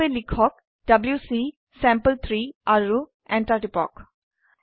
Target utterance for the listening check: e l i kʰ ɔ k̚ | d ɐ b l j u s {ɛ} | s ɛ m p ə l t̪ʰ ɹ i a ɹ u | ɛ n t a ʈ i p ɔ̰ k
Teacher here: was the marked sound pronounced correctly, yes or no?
no